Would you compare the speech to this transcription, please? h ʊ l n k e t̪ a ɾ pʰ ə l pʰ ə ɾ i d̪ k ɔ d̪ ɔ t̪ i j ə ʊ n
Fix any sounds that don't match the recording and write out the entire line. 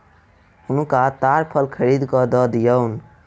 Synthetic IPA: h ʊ n k a t̪ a ɾ pʰ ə l kʰ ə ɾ i d̪ k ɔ d̪ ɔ d̪ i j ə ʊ n

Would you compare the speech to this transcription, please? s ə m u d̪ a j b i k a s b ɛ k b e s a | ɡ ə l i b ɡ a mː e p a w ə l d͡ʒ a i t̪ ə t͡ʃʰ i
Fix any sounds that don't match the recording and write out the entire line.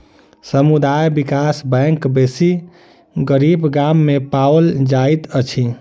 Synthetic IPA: s ə m u d̪ a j b i k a s b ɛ k b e s i | ɡ ə ɾ i b ɡ a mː e p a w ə l d͡ʒ a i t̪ ə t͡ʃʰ i

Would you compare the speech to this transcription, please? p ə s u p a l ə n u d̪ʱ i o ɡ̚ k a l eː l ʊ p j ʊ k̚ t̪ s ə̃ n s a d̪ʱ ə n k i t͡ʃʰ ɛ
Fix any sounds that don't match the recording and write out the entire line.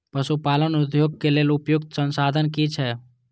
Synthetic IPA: p ə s u p a l ə n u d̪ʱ j o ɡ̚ k e l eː l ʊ p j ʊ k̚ t̪ s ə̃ n s a d̪ʱ ə n k i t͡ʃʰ ɛ

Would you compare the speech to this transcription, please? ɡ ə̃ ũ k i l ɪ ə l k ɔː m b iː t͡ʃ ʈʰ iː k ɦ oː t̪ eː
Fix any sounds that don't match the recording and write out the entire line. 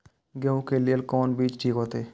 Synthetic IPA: ɡ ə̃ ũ k e l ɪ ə l k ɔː n b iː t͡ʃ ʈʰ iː k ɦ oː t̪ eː

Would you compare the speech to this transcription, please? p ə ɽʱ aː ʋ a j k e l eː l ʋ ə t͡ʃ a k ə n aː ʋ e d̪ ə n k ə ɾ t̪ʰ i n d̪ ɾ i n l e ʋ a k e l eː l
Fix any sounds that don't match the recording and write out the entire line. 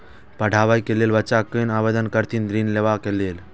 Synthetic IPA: p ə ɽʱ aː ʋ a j k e l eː l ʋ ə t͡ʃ a k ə n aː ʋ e d̪ ə n k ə ɾ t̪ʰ i n d̪ ɾ i n l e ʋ a k e l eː l

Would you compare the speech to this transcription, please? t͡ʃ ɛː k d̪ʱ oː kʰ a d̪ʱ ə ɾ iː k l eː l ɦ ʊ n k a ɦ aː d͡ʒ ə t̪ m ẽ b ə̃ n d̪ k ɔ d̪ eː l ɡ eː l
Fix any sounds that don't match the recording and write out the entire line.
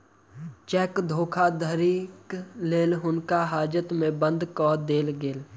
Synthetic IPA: t͡ʃ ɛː k d̪ʱ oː kʰ a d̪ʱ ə ɾ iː k l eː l ɦ ʊ n k a ɦ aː d͡ʒ ə t̪ m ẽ b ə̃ n d̪ k ɔː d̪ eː l ɡ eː l

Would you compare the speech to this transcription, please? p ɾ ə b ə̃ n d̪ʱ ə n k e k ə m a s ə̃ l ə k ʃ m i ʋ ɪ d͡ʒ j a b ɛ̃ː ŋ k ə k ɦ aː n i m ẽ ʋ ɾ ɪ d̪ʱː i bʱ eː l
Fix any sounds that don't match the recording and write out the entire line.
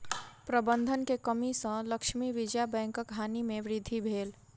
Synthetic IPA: p ɾ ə b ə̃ n d̪ʱ ə n k e k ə m i s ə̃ l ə k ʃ m i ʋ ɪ d͡ʒ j a b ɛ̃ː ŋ k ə k ɦ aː n i m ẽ ʋ ɾ ɪ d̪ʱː i bʱ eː l

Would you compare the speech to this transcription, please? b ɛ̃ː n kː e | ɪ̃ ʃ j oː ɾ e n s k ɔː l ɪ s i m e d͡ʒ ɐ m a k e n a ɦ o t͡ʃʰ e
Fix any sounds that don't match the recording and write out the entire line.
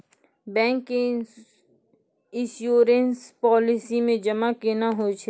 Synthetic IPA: b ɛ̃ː ŋ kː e | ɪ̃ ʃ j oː ɾ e n s p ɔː l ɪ s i m ẽ d͡ʒ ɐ m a k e n a ɦ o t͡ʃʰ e

